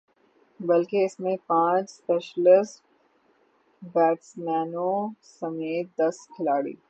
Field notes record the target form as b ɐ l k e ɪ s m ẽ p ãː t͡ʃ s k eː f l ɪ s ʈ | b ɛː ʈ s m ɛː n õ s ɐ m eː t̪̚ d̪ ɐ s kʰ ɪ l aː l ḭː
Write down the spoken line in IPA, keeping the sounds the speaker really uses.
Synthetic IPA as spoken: b ɐ l k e ɪ s m ẽ p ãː t͡ʃ s p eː ʃ l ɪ s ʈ | b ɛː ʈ s m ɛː n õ s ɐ m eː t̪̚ d̪ ɐ s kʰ ɪ l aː ɽ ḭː